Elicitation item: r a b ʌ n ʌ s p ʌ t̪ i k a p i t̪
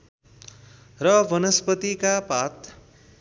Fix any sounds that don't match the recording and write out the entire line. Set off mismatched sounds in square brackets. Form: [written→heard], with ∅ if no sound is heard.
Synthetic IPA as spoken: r [a→ʌ] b ʌ n ʌ s p ʌ t̪ i k a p [i→a] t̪